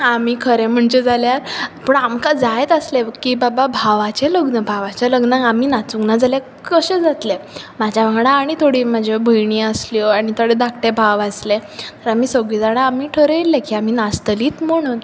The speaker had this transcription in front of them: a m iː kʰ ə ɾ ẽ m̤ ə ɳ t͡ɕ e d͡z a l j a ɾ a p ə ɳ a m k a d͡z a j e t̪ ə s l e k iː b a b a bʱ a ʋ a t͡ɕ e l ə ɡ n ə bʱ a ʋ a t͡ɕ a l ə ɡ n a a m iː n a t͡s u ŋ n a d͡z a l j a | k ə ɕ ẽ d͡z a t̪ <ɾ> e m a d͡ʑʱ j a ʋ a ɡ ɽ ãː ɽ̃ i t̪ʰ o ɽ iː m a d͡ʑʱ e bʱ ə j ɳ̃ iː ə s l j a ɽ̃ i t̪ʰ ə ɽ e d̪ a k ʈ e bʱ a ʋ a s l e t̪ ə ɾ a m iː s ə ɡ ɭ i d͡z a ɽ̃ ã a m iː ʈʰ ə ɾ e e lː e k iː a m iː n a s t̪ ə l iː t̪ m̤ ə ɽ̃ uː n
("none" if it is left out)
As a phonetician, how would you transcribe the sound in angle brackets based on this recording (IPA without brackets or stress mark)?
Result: l